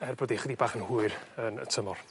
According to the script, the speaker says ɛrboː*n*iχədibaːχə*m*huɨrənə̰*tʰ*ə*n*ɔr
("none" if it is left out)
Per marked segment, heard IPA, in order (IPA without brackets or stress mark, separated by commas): d, n, tʰ, m